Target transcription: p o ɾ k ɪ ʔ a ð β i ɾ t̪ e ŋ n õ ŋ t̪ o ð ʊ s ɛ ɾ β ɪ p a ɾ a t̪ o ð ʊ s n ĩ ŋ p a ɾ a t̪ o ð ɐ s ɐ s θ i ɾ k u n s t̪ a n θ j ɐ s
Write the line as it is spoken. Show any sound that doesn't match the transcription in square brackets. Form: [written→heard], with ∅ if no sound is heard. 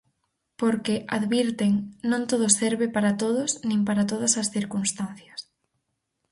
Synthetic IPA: p o ɾ k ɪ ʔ a ð β i ɾ t̪ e ŋ n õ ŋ t̪ o ð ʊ s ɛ ɾ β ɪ p a ɾ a t̪ o ð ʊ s n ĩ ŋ p a ɾ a t̪ o ð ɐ s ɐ s θ i ɾ k u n s t̪ a n θ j ɐ s

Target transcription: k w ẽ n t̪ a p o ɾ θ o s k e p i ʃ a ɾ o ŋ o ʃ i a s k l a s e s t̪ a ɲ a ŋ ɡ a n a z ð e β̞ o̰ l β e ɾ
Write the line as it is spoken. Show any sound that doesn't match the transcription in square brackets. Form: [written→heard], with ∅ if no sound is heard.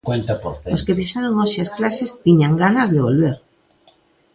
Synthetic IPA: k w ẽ n t̪ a p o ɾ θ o s k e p i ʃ a ɾ o ŋ o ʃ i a s k l a s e s t̪ [a→i] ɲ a ŋ ɡ a n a z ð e β̞ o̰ l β e ɾ

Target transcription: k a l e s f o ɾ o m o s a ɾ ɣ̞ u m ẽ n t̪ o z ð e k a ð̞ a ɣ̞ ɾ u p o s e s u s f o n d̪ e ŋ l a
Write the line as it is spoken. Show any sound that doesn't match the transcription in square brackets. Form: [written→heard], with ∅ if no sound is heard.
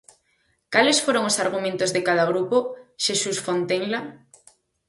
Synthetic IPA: k a l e s f o ɾ o [m→ŋ] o s a ɾ ɣ̞ u m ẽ n t̪ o z ð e k a ð̞ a ɣ̞ ɾ u p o [s→ʃ] e s u s f o n [d̪→t̪] e ŋ l a

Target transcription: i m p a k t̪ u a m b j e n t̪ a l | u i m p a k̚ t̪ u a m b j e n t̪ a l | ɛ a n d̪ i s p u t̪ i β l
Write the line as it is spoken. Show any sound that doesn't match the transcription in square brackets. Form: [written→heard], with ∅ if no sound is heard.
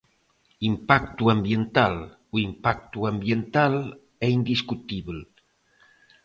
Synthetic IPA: i m p a k t̪ u a m b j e n t̪ a l | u i m p a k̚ t̪ u a m b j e n t̪ a l | ɛ [a→i] n d̪ i s [p→k] u t̪ i β l

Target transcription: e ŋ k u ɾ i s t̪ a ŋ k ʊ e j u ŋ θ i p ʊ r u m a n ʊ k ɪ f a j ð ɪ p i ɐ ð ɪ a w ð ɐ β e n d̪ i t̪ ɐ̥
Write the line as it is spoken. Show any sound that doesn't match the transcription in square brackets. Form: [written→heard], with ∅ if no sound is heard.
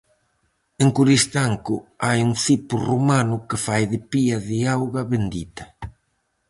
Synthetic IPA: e ŋ k u ɾ i s t̪ a ŋ k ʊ [e→a] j u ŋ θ i p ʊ r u m a n ʊ k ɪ f a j ð ɪ p i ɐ ð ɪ a w [ð→ɣ] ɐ β e n d̪ i t̪ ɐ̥

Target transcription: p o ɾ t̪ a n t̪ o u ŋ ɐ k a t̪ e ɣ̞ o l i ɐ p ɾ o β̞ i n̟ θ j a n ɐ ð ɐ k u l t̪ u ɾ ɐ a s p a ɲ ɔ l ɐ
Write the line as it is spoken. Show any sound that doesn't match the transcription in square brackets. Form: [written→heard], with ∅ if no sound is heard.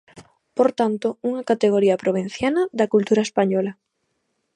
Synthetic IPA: p o ɾ t̪ a n t̪ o u ŋ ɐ k a t̪ e ɣ̞ o [l→ɾ] i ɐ p ɾ o β̞ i n̟ θ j a n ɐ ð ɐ k u l t̪ u ɾ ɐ [a→e] s p a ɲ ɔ l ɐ

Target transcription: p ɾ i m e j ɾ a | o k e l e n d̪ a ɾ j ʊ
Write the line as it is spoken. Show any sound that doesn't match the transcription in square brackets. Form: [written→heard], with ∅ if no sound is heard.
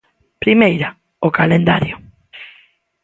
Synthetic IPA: p ɾ i m e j ɾ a | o k [e→a] l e n d̪ a ɾ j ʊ

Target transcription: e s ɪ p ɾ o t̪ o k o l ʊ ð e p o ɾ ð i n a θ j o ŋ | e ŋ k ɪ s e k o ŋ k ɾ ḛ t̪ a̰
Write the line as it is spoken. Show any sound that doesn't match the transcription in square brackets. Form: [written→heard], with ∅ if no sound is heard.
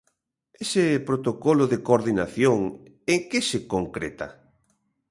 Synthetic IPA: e s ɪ p ɾ o t̪ o k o l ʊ ð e [p→k] o ɾ ð i n a θ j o ŋ | e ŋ k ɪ s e k o ŋ k ɾ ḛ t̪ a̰

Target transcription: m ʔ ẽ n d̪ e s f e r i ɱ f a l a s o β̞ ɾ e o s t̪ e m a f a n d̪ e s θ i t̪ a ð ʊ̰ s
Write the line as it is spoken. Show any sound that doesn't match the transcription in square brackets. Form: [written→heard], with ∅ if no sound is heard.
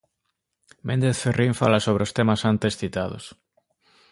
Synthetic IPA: m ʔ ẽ n d̪ e [s→θ] f e r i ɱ f a l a s o β̞ ɾ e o s t̪ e m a [f→s] a n [d̪→t̪] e s θ i t̪ a ð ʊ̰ s

